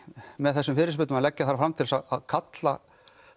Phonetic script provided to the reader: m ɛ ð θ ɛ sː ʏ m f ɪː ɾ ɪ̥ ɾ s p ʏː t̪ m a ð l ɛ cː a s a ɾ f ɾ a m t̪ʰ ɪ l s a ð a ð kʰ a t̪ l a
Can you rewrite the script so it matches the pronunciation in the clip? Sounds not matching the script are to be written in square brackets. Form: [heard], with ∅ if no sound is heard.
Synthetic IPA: m ɛ ð θ ɛ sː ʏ m f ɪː ɾ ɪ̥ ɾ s p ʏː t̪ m a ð l ɛ cː a [θ] a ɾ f ɾ a m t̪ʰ ɪ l s a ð a ð kʰ a t̪ l a